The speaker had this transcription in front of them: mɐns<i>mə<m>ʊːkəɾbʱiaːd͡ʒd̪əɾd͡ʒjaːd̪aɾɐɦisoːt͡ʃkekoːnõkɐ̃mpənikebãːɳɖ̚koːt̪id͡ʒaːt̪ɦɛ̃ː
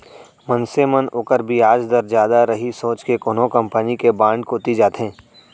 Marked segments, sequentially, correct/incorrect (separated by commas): incorrect, incorrect